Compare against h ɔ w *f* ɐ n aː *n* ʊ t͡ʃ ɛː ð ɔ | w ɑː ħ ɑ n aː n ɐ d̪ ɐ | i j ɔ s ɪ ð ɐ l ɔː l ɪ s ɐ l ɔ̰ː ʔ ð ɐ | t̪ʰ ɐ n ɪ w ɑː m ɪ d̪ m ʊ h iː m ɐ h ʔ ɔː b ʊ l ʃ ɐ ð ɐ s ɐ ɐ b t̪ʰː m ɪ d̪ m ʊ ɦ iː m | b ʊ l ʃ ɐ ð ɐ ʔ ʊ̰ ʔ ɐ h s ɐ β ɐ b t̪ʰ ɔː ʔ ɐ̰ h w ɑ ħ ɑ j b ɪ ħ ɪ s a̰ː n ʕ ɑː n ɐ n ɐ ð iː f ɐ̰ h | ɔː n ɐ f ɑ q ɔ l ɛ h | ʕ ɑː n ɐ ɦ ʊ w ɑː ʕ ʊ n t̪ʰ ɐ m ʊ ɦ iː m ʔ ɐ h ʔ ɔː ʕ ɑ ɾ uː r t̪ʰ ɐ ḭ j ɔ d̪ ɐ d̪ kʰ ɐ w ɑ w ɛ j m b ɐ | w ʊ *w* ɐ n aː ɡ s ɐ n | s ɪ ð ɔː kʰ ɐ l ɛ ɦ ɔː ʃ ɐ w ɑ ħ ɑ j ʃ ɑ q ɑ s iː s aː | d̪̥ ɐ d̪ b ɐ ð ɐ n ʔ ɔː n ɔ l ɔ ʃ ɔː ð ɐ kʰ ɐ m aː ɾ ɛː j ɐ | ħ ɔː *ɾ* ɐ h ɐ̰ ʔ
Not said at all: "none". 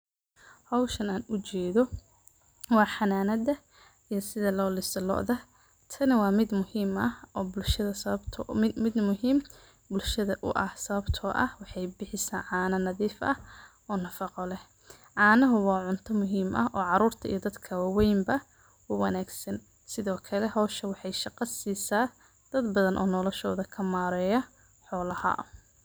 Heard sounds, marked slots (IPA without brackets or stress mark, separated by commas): ʃ, n, w, l